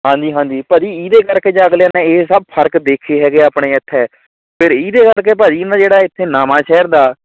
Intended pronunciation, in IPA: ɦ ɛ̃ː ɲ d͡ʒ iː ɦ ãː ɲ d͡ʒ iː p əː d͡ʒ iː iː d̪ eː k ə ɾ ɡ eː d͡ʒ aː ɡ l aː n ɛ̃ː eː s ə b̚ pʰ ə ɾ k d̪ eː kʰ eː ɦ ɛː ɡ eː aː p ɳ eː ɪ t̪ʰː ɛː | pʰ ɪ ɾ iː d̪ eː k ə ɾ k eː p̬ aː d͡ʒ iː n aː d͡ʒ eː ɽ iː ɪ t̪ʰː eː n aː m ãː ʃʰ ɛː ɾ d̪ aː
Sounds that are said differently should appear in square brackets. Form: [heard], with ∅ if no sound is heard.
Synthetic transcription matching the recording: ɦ [ãː] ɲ d͡ʒ iː ɦ ãː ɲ d͡ʒ iː p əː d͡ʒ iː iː d̪ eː k ə ɾ [k] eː d͡ʒ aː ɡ l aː n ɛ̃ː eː s ə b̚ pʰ ə ɾ k d̪ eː kʰ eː ɦ ɛː ɡ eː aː p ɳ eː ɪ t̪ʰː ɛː | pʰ ɪ ɾ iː d̪ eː k ə ɾ k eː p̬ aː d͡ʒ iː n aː d͡ʒ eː ɽ [aː] ɪ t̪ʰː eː n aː m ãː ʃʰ ɛː ɾ d̪ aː